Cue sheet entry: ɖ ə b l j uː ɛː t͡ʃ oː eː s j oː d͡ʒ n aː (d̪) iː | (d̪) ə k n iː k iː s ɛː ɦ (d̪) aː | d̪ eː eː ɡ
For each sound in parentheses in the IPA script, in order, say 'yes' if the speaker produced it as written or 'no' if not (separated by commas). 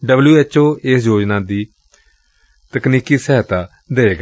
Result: yes, no, no